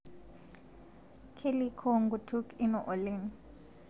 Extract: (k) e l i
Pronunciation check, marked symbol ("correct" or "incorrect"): incorrect